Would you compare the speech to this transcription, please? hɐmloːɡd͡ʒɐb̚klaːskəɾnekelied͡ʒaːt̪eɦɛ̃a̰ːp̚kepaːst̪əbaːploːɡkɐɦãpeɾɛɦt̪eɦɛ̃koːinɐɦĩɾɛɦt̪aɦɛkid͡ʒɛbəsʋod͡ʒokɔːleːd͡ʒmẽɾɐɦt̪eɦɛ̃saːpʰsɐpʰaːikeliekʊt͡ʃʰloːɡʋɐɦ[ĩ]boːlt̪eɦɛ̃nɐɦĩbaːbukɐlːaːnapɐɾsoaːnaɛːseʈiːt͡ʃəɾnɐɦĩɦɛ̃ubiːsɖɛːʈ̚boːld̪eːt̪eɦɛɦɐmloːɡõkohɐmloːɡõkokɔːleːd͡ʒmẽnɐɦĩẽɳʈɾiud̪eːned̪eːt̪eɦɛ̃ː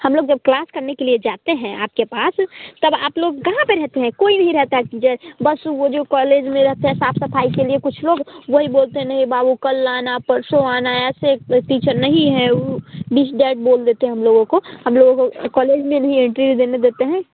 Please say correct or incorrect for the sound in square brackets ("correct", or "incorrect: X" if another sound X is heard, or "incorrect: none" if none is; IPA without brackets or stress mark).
incorrect: i